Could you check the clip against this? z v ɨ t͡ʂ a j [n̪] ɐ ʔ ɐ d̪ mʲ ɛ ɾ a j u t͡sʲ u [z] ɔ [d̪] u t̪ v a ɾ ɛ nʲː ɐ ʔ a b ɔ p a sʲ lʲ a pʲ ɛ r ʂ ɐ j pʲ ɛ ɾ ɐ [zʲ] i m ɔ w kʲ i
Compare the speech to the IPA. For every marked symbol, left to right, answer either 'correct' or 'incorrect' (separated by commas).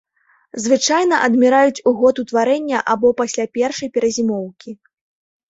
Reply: correct, incorrect, incorrect, correct